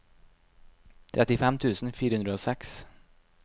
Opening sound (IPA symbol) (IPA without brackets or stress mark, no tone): t̪ʰ